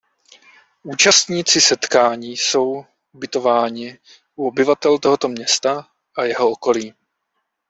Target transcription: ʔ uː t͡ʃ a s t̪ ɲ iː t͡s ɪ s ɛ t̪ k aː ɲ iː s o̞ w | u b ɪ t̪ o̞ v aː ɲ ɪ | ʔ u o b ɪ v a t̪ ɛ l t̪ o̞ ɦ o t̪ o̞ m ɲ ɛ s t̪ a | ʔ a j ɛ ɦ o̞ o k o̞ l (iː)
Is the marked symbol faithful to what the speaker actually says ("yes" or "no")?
yes